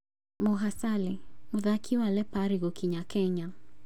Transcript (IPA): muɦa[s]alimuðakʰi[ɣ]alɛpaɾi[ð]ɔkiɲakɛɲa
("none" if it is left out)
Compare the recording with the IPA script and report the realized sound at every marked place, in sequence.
s, w, ɣ

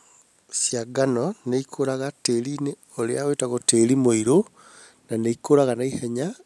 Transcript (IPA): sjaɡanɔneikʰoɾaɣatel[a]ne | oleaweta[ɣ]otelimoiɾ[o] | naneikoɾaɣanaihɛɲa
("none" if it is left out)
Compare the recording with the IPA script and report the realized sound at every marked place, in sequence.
i, ɣ, o

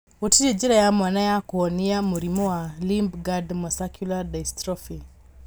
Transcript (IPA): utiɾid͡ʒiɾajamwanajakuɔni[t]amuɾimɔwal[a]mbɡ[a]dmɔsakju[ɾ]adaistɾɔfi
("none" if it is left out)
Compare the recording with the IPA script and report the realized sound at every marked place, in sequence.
none, i, a, l

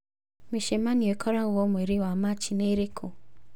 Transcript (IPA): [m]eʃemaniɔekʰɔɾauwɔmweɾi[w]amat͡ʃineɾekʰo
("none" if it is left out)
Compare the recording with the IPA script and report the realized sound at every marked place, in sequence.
m, w

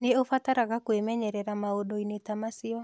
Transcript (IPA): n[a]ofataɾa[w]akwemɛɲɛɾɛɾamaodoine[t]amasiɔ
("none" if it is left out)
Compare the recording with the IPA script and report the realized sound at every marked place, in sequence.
e, ɣ, t

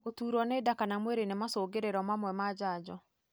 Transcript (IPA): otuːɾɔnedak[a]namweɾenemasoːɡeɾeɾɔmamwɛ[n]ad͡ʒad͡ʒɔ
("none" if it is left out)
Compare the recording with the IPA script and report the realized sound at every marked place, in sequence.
a, m

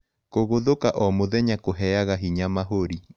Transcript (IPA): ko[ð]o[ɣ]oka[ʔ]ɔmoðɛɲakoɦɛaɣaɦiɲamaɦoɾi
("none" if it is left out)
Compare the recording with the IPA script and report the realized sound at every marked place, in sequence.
ɣ, ð, ʔ

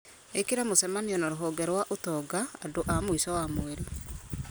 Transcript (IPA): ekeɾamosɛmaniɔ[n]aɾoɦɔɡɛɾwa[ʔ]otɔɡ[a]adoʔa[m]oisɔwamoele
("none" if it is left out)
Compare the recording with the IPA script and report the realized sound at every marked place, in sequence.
n, ʔ, a, m

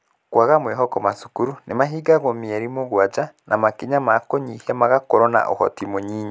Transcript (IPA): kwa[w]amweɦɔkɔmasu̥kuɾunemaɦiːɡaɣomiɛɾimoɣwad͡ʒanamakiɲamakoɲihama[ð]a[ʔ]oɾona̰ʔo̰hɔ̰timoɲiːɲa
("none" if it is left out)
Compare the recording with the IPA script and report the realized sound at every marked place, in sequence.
ɣ, ɣ, k

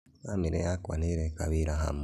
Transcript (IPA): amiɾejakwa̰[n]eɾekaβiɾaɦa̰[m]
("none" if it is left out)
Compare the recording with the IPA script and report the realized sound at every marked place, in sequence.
n, m

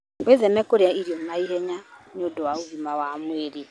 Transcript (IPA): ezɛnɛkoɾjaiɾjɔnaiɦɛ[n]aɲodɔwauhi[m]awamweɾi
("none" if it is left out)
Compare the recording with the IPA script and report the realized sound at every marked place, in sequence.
ɲ, m

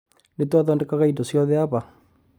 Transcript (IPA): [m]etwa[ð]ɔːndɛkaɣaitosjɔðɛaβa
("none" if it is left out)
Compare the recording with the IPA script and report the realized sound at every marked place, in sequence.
n, ð

